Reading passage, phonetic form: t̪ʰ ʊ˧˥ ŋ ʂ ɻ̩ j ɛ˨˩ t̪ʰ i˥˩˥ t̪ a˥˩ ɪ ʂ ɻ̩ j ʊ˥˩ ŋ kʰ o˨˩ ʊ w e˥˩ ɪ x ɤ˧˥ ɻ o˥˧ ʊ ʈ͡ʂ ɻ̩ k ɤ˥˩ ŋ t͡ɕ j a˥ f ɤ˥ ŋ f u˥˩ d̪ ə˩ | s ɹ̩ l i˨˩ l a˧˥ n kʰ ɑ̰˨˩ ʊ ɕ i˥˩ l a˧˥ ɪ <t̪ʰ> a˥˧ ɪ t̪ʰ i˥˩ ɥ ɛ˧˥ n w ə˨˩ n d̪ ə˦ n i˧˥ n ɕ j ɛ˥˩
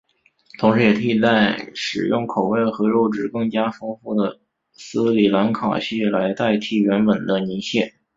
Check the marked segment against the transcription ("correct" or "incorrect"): incorrect